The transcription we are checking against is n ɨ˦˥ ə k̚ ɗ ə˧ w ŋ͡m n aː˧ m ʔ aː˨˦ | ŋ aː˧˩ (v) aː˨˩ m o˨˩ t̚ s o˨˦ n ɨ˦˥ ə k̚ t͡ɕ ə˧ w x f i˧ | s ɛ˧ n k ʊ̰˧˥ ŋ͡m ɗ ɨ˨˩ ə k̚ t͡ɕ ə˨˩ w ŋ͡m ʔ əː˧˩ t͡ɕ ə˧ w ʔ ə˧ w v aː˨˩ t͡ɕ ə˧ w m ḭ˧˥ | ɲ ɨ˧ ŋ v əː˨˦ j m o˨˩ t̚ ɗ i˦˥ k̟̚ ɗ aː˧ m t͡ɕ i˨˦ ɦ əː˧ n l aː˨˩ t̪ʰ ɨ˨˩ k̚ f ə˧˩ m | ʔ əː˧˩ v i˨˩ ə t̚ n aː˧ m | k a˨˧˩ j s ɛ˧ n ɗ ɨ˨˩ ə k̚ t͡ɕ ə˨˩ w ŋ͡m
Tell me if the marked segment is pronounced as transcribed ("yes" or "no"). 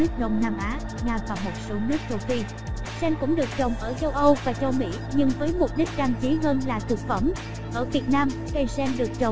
yes